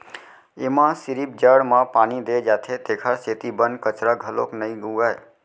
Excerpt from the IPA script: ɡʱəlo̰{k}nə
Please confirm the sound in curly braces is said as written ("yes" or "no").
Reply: yes